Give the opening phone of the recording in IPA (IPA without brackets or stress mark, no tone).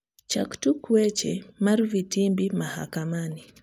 t͡ʃ